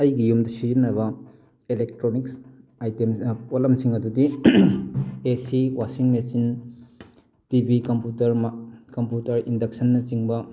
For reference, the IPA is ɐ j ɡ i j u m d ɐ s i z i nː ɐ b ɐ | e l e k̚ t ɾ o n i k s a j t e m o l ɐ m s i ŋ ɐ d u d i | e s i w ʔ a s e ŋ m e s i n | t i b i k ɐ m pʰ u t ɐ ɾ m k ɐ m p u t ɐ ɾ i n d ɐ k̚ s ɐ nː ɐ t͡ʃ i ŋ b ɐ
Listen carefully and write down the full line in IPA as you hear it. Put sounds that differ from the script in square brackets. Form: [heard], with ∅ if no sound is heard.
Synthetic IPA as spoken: ɐ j ɡ i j u m d ɐ s i z i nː ɐ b ɐ | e l e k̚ t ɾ o n i k s a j t e m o l ɐ m s i ŋ ɐ d u d i | e s i w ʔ a s [i] ŋ m e s i n | t i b i k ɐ m [p] u t ɐ ɾ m k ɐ m p u t ɐ ɾ i n d ɐ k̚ s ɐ nː ɐ t͡ʃ i ŋ b ɐ

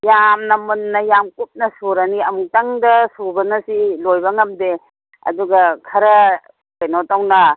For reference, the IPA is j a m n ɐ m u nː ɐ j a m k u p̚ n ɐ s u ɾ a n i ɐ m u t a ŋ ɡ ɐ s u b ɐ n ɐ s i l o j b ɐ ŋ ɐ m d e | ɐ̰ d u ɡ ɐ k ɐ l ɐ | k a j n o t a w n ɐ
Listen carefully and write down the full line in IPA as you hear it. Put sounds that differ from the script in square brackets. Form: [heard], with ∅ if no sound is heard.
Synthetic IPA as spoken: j a m n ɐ m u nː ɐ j a m k u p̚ n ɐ s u ɾ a n i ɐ m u t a ŋ [d] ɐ s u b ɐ n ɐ s i l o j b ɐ ŋ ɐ m d e | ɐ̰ d u ɡ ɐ [kʰ] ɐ [ɾ] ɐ | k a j n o t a w n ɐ

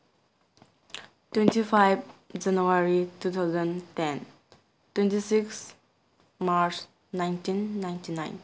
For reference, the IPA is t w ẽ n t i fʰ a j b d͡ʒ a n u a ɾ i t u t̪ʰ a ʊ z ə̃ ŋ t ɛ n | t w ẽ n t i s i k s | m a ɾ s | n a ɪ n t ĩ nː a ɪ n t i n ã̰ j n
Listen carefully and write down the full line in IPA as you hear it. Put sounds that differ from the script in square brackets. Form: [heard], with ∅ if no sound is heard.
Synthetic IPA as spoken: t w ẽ n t i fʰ a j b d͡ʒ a n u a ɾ i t u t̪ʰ a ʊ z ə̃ [n] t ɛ n | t w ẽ n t i s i k s | m a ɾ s | n a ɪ n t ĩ nː a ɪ n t i n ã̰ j n

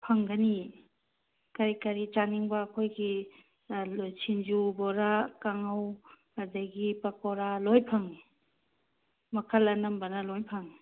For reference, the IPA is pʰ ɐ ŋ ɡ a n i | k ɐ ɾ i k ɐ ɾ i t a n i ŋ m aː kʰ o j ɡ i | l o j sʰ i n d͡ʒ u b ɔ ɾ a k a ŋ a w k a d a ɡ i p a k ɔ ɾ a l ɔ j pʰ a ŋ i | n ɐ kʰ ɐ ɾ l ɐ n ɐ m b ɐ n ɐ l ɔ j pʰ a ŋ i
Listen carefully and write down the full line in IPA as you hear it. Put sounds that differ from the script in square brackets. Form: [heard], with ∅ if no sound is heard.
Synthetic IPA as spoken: pʰ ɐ ŋ ɡ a n i | k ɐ ɾ i k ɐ ɾ i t a n i ŋ [b] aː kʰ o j ɡ i | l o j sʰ i n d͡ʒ u b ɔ ɾ a k a ŋ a w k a d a ɡ i p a k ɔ ɾ a l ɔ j pʰ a ŋ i | [m] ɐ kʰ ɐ [∅] l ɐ n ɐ m b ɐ n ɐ l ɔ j pʰ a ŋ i

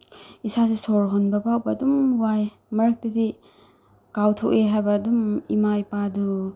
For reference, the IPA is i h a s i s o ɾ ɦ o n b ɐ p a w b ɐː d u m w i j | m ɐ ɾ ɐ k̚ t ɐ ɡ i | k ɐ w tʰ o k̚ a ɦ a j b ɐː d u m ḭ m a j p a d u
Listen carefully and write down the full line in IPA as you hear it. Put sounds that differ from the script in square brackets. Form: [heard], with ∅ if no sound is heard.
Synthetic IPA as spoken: i [s] a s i s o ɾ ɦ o n b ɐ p a w b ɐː d u m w [a] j | m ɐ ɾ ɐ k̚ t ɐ [d] i | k [a] w tʰ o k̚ [e] ɦ a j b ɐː d u m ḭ m a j p a d u

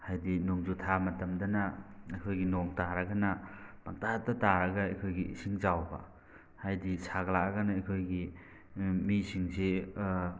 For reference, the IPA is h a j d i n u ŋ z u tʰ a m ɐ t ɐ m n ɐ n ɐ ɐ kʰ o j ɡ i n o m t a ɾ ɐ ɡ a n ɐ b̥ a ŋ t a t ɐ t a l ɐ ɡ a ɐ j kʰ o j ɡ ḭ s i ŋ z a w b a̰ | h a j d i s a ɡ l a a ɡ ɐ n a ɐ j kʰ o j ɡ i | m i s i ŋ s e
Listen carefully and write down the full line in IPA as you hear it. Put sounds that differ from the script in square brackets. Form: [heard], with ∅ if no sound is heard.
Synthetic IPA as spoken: h a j d i n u ŋ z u tʰ a m ɐ t ɐ m [d] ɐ n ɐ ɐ kʰ o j ɡ i n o [ŋ] t a ɾ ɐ ɡ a n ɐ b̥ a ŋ t a t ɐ t a [ɾ] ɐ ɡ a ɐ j kʰ o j ɡ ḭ s i ŋ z a w b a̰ | h a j d i s a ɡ l a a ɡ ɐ n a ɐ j kʰ o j ɡ i | m i s i ŋ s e

